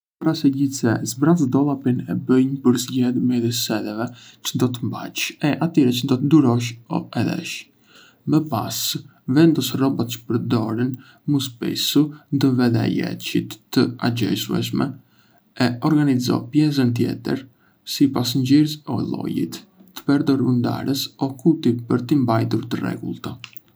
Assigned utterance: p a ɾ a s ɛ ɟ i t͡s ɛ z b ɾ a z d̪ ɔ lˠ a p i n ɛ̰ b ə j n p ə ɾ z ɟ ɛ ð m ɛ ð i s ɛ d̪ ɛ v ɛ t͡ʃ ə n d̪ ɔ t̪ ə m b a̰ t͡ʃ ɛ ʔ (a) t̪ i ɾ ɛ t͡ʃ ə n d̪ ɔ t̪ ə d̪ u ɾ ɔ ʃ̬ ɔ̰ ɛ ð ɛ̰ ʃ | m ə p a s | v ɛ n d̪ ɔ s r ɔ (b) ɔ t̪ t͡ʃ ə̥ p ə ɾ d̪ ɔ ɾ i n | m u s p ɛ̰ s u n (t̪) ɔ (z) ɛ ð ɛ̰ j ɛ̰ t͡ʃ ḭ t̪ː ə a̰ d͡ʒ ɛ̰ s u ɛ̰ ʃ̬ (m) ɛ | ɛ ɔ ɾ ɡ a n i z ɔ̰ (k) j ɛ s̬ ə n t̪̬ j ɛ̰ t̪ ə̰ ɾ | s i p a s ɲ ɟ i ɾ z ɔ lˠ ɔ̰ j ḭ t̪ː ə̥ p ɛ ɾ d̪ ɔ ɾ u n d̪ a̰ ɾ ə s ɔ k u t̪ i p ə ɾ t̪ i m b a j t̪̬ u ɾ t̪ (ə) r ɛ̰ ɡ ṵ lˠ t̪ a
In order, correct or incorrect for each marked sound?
correct, correct, incorrect: d̪, incorrect: v, correct, incorrect: p, correct

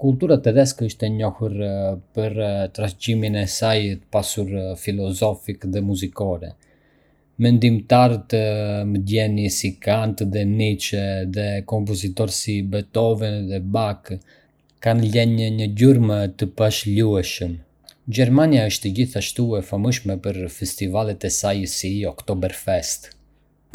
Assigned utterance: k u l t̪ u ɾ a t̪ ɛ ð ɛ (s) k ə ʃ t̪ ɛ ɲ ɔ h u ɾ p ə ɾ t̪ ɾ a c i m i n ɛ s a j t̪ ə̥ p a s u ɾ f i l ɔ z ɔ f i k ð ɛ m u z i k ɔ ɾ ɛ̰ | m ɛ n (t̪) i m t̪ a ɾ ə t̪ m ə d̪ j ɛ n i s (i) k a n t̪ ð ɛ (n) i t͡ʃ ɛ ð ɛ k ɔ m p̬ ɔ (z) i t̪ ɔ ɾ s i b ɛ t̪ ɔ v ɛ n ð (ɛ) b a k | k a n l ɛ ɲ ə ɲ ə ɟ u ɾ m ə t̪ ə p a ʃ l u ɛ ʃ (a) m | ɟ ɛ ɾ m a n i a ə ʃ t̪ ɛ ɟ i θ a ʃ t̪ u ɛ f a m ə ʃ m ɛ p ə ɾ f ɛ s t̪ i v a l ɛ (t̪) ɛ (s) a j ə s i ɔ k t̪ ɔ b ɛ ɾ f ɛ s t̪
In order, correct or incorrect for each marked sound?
correct, incorrect: d̪, correct, correct, correct, correct, incorrect: ə, correct, correct

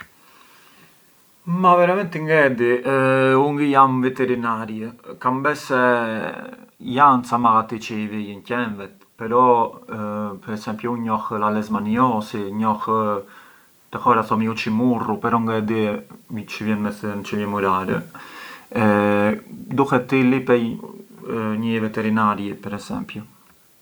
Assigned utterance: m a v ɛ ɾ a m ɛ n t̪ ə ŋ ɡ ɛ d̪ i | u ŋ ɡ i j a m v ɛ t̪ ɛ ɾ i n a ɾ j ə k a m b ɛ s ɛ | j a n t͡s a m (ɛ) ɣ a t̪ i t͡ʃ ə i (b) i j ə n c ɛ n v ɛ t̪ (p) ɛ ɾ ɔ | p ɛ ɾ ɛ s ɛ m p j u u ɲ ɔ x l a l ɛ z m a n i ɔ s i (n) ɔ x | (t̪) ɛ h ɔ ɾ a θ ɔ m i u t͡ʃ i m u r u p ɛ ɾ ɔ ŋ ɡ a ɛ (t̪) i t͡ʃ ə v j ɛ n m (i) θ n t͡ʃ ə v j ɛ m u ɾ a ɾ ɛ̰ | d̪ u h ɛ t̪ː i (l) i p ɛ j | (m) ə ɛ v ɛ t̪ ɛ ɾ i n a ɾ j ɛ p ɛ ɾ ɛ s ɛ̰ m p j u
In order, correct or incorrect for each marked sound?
incorrect: a, incorrect: v, correct, incorrect: ɲ, correct, incorrect: d̪, incorrect: ɛ, correct, incorrect: ɲ

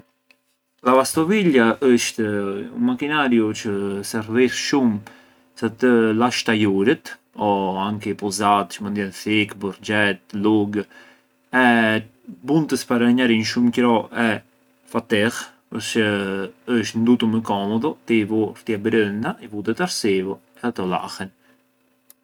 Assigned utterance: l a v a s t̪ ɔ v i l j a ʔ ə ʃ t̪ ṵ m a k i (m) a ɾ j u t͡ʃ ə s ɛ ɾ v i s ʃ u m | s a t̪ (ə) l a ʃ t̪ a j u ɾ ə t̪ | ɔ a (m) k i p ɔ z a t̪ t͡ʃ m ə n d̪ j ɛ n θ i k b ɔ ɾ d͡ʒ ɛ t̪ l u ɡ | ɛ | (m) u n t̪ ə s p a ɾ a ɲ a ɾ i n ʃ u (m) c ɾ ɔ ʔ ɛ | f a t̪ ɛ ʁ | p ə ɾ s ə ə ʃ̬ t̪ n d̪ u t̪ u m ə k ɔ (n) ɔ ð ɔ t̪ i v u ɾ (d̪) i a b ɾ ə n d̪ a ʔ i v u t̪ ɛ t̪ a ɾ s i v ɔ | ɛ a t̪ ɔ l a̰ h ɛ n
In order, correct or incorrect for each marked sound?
incorrect: n, correct, incorrect: ŋ, incorrect: b, correct, incorrect: m, incorrect: t̪

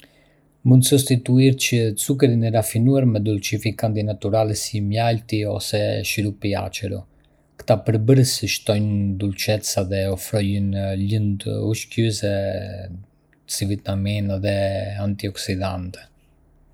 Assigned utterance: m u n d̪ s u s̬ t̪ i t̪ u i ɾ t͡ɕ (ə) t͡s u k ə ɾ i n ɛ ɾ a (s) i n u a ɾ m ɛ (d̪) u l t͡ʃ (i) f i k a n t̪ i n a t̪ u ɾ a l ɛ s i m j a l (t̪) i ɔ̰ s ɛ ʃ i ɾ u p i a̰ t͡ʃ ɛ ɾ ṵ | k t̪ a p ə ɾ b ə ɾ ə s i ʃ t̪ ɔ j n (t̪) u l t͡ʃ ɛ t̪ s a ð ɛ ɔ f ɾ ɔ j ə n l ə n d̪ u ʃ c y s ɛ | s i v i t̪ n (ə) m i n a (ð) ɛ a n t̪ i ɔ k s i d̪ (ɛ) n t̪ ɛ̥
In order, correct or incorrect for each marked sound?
correct, incorrect: f, correct, correct, correct, incorrect: d̪, incorrect: a, correct, incorrect: a

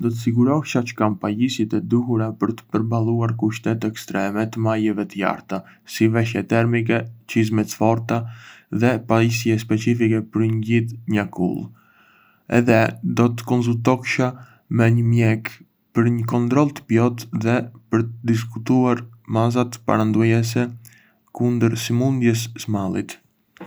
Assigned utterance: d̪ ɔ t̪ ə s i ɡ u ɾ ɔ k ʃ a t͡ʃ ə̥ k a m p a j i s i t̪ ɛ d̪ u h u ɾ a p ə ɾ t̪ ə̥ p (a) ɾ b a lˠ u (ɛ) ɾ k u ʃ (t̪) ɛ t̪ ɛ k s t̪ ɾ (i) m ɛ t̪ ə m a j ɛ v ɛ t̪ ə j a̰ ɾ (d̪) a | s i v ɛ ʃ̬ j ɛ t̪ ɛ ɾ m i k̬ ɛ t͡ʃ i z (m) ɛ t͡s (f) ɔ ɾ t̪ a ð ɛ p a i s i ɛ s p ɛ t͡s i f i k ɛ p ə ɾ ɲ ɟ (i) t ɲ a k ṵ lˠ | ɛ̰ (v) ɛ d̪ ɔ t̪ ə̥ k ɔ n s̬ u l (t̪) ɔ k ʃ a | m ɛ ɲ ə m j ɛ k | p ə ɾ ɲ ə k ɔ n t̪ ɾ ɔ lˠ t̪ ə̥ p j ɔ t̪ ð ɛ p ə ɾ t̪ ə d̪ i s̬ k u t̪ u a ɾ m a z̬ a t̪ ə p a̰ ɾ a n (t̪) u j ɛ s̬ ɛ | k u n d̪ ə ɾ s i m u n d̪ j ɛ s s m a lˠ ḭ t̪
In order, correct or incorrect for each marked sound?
incorrect: ə, incorrect: a, correct, incorrect: ɛ, incorrect: t̪, correct, correct, correct, incorrect: ð, correct, incorrect: d̪

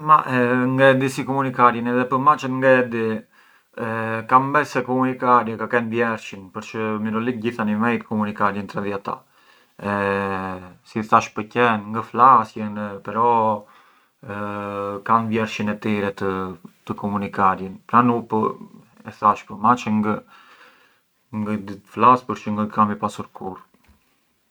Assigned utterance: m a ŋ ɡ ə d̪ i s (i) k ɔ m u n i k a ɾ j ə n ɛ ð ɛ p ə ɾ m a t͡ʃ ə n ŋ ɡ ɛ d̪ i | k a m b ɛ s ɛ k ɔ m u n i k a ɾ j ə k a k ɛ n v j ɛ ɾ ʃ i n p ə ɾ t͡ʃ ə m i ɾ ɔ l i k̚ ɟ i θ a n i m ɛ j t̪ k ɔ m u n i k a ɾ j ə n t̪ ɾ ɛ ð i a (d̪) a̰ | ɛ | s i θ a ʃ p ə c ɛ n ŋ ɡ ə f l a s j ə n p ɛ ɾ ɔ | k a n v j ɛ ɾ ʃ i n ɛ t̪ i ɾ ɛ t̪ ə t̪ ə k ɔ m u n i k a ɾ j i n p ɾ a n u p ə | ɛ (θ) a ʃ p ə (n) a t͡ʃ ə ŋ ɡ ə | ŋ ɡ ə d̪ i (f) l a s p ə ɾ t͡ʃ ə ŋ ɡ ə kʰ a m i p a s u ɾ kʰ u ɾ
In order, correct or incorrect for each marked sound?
correct, incorrect: t̪, correct, incorrect: m, correct

